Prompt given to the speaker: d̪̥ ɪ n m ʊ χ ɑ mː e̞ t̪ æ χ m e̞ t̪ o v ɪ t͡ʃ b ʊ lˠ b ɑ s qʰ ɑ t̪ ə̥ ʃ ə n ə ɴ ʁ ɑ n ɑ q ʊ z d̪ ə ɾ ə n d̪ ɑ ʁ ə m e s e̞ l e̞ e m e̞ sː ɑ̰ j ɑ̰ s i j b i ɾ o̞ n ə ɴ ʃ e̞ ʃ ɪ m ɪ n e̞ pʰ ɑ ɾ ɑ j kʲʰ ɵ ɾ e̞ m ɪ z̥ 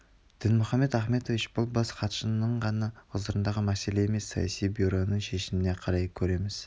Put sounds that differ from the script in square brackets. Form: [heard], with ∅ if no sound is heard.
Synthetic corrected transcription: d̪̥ ɪ n m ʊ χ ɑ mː e̞ t̪ æ χ m e̞ t̪ o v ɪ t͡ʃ b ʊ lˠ b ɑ s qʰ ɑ t̪ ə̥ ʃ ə n ə ɴ ʁ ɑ n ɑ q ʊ z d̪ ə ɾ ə n d̪ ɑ ʁ ə m [æ] s e̞ l e̞ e m e̞ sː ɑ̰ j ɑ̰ s i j b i ɾ o̞ n ə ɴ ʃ e̞ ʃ ɪ m ɪ n e̞ [qʰ] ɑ ɾ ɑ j kʲʰ ɵ ɾ e̞ m ɪ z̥